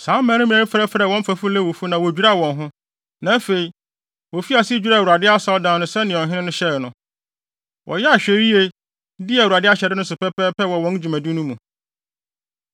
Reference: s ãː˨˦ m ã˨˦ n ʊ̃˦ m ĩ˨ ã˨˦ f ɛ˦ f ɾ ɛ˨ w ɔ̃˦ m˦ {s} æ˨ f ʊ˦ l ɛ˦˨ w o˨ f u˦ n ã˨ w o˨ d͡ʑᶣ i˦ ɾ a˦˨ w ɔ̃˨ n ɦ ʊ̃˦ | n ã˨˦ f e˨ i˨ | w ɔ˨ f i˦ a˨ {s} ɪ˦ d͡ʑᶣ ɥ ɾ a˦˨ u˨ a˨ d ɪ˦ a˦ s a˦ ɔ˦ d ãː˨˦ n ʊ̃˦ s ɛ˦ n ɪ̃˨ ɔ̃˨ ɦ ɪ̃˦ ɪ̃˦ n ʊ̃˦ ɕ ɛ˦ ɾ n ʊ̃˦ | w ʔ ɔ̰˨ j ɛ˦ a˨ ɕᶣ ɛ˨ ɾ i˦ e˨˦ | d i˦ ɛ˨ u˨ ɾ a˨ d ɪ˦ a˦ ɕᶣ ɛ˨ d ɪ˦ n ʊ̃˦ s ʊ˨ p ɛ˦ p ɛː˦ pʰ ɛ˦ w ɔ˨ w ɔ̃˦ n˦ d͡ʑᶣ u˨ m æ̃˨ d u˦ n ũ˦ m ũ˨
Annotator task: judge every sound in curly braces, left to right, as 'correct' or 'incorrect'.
incorrect: f, correct

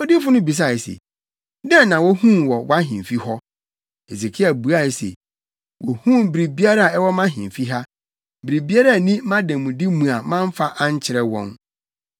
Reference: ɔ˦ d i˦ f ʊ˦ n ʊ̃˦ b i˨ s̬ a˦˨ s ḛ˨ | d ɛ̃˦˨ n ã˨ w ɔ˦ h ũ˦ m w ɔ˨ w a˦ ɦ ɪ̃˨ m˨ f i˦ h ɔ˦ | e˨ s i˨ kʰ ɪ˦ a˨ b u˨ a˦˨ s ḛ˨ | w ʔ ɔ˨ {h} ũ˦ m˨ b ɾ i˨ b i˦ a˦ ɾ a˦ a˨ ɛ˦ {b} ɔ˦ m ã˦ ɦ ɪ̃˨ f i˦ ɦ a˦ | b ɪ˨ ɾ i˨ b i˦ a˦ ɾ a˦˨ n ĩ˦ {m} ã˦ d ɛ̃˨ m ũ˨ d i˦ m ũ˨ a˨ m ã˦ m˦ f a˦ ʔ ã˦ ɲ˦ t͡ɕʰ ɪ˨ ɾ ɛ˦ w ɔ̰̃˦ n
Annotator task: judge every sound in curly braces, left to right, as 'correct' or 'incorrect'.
correct, incorrect: w, correct

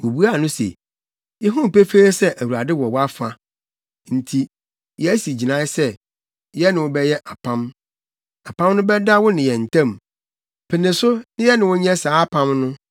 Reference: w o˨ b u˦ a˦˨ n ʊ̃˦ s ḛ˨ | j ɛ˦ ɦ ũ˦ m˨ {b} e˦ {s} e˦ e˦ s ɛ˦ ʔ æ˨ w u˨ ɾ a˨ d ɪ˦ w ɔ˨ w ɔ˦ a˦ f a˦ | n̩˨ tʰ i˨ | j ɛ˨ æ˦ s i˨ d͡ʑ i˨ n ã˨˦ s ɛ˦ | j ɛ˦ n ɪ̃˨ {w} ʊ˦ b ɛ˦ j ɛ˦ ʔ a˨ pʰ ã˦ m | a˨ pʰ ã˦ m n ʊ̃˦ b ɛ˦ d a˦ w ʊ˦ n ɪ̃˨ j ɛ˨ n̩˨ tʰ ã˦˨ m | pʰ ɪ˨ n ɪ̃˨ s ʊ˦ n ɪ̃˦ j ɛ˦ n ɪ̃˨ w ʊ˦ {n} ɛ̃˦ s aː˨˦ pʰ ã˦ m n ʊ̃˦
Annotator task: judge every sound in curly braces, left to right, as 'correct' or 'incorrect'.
incorrect: p, incorrect: f, correct, incorrect: ɲ

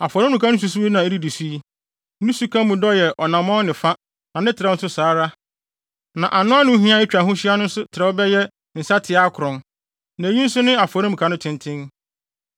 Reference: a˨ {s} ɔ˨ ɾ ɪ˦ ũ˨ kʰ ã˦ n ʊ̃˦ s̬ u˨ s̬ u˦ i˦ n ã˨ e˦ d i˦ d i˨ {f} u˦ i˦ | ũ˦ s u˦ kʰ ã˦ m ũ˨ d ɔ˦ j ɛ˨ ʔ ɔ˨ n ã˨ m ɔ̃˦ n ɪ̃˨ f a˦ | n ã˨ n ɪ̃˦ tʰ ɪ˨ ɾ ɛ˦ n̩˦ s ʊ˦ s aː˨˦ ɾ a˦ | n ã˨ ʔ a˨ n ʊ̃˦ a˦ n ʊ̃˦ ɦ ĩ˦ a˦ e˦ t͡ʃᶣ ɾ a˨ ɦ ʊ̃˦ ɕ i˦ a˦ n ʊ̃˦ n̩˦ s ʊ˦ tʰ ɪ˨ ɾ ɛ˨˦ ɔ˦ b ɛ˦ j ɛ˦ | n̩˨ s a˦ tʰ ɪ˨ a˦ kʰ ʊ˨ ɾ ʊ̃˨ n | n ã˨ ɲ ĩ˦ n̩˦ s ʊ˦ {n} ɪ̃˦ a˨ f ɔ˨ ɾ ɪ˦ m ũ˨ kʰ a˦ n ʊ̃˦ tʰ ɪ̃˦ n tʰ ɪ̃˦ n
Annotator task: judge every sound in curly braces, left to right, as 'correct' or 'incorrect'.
incorrect: f, incorrect: s, correct

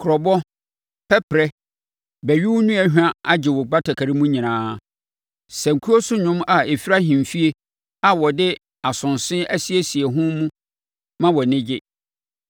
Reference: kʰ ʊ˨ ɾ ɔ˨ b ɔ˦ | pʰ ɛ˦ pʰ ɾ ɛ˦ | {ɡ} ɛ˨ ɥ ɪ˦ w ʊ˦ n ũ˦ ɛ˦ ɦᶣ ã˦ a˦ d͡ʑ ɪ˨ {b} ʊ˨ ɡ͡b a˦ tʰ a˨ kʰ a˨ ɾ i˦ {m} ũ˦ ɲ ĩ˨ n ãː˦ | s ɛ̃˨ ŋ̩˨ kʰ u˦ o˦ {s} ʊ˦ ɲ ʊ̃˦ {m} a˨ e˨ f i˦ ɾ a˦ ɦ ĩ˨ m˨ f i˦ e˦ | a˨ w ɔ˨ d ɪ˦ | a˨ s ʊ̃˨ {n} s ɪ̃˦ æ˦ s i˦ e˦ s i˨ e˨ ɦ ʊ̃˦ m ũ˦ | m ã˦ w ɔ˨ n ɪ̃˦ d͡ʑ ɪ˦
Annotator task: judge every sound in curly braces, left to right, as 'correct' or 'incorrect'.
incorrect: b, incorrect: w, correct, correct, correct, correct

